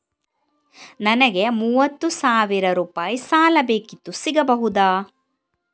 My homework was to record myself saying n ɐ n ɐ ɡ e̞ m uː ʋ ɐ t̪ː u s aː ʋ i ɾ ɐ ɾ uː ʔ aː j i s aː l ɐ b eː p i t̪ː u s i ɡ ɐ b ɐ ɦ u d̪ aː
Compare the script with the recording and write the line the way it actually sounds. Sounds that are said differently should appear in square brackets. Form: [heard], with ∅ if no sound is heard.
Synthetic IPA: n ɐ n ɐ ɡ e̞ m uː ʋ ɐ t̪ː u s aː ʋ i ɾ ɐ ɾ uː [p] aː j i s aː l ɐ b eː [k] i t̪ː u s i ɡ ɐ b ɐ ɦ u d̪ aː